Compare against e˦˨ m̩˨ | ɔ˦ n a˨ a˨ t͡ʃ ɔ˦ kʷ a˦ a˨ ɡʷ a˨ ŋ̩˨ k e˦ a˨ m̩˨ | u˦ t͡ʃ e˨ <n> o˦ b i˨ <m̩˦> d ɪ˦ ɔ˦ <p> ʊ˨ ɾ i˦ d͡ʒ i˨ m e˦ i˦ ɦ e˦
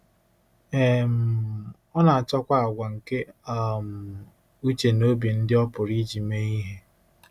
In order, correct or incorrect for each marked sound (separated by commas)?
correct, incorrect, correct